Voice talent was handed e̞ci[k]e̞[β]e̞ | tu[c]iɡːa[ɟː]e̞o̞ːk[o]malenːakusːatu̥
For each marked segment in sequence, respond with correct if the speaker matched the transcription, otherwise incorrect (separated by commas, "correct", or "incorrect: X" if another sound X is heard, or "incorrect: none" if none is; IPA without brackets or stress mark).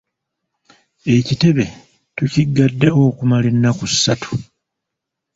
incorrect: t, correct, correct, incorrect: dː, incorrect: u